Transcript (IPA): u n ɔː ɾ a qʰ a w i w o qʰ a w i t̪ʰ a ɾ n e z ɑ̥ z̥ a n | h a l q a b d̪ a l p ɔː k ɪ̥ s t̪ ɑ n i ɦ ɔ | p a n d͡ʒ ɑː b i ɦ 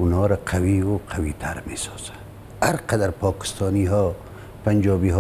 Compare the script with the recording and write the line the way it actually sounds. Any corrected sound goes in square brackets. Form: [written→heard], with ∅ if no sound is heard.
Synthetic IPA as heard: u n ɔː ɾ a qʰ a w i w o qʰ a w i t̪ʰ a ɾ [n→m] e [z→s] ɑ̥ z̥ a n | h a [l→ɾ] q a [b→∅] d̪ a [l→ɾ] p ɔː k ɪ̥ s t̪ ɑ n i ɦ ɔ | p a n d͡ʒ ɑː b i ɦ